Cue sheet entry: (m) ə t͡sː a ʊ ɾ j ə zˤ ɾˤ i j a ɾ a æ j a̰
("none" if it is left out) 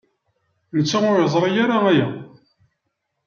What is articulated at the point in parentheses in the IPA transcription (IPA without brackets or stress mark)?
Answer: n